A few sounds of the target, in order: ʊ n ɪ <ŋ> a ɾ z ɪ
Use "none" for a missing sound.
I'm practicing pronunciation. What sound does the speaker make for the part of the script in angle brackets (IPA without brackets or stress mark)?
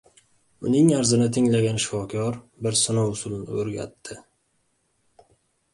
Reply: ŋ